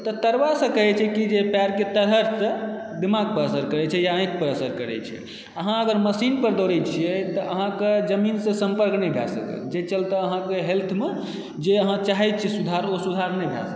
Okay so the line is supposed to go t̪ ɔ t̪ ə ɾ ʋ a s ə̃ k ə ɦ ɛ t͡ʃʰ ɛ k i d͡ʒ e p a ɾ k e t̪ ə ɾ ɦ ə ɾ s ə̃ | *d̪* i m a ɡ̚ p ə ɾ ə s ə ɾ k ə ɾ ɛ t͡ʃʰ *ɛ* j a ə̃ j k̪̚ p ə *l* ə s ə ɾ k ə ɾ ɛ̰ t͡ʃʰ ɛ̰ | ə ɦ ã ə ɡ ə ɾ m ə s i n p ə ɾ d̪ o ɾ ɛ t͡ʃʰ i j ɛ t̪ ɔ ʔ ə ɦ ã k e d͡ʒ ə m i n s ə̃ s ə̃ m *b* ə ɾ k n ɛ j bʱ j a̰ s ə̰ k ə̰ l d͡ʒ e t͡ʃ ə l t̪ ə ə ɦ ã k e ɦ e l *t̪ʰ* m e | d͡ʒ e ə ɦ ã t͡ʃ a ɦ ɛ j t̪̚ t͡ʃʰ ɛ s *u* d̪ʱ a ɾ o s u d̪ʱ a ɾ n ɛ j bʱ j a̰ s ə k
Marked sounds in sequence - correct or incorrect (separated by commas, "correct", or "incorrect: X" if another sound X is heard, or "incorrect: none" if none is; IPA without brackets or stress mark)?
correct, correct, incorrect: ɾ, incorrect: p, correct, correct